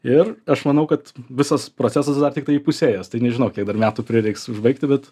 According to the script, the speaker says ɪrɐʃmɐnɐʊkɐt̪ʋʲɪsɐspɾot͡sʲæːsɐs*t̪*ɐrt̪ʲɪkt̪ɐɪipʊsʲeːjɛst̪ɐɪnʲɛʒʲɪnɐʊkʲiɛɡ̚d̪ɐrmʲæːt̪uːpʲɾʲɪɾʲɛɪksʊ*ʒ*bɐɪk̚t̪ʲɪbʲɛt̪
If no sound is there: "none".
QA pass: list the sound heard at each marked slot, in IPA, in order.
d̪, ʒ

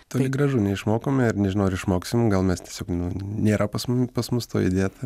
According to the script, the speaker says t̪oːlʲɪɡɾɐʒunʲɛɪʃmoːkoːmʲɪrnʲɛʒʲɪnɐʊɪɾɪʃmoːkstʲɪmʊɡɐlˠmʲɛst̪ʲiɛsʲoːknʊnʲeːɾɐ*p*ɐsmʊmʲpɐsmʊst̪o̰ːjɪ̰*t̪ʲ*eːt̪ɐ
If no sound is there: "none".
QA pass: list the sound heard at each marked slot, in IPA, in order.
p, d̪ʲ

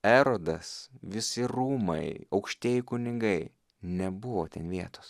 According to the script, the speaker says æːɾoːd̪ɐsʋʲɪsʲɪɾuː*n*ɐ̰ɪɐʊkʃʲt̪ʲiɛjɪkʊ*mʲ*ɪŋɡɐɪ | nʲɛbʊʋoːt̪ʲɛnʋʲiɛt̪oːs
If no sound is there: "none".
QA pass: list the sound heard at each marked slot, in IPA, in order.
m, nʲ

